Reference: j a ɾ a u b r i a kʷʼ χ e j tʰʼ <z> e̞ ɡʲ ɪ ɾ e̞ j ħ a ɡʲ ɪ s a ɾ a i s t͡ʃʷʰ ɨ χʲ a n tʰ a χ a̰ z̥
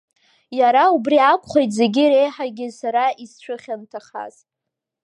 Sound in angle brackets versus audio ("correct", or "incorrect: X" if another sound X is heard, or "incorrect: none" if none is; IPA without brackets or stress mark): correct